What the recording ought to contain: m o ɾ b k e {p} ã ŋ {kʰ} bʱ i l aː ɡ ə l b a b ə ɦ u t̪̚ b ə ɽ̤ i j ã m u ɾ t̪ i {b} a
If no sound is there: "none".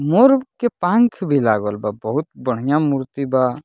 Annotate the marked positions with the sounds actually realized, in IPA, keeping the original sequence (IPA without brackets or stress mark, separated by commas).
p, kʰ, b